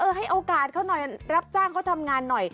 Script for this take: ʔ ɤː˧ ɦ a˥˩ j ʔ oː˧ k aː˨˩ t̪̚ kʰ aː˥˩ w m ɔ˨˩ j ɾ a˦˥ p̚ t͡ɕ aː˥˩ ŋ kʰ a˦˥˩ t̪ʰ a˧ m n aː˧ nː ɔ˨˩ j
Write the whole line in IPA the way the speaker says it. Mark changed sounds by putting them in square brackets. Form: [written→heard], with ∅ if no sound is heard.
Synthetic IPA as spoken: ʔ ɤː˧ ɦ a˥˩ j ʔ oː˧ k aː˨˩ t̪̚ kʰ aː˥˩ w [m→n] ɔ˨˩ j ɾ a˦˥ p̚ t͡ɕ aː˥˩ ŋ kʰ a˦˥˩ t̪ʰ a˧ m [n→ŋ] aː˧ nː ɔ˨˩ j